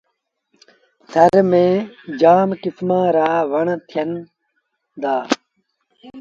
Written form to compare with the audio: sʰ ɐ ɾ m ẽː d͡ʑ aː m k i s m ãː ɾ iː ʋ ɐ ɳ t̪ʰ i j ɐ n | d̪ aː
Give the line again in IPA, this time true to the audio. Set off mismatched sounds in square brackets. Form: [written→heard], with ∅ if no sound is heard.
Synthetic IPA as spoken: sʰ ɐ ɾ m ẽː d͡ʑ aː m k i s m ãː ɾ [iː→aː] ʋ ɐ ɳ t̪ʰ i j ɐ n | d̪ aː